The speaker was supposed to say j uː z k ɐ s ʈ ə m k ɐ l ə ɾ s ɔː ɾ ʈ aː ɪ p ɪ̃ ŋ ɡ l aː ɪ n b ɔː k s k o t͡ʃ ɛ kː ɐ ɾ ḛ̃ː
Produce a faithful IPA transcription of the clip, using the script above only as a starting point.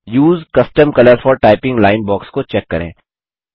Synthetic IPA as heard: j uː z k ɐ s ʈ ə m k ɐ l ə ɾ f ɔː ɾ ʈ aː ɪ p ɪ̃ ŋ ɡ l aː ɪ n b ɔː k s k o t͡ʃ ɛ kː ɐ ɾ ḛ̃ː